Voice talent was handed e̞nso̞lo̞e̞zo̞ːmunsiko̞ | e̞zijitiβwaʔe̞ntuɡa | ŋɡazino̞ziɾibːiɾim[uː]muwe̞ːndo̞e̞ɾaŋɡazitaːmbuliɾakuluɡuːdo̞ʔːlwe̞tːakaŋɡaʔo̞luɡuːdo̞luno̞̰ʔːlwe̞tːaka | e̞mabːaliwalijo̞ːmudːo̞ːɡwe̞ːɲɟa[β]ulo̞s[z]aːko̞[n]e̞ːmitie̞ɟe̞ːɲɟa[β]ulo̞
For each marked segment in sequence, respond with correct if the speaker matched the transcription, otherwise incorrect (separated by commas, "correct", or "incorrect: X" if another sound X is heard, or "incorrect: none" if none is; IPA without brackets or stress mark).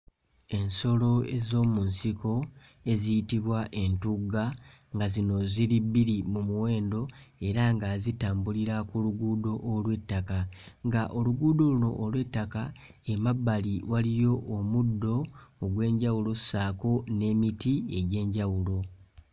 incorrect: u, incorrect: w, incorrect: s, correct, incorrect: w